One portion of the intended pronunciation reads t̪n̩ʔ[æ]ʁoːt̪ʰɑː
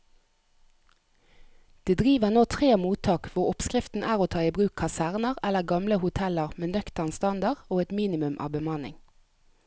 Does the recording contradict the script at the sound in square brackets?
yes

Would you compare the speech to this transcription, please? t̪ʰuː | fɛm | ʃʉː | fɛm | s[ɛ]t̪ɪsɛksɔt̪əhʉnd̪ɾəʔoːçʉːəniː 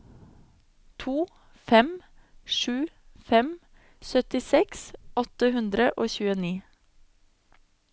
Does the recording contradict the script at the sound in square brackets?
yes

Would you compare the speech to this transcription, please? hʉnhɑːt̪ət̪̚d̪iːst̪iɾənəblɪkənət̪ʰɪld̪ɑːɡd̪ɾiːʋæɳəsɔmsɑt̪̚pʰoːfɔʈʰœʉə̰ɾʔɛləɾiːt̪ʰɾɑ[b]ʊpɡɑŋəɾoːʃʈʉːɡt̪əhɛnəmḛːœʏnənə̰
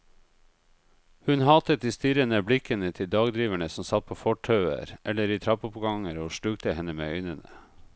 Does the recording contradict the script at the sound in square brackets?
yes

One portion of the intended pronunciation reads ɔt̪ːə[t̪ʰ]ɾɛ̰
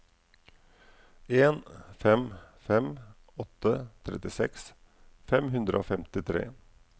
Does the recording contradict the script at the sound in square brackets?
no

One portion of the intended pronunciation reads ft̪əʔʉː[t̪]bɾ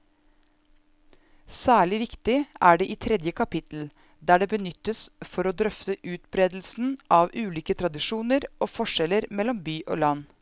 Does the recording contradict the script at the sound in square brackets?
no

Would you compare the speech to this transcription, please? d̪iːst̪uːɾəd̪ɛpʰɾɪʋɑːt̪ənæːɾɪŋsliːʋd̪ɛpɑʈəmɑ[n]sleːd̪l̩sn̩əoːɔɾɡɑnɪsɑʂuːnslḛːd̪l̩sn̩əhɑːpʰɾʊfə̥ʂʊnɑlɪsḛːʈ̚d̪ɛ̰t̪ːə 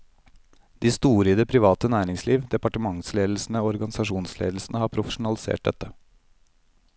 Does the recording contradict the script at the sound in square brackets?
yes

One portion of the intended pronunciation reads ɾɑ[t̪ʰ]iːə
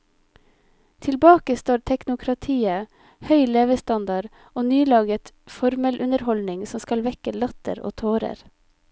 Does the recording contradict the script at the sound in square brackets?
no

